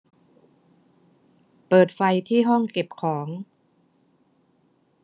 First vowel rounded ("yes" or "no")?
no